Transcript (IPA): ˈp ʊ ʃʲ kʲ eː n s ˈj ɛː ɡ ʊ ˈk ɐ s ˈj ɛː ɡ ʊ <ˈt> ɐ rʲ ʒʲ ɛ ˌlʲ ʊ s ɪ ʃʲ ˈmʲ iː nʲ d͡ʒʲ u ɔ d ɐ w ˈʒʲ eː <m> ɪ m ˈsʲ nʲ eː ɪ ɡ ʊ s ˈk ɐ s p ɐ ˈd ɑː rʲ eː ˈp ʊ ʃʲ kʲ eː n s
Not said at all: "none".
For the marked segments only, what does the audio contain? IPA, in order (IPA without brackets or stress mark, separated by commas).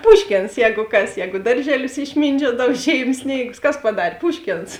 d, none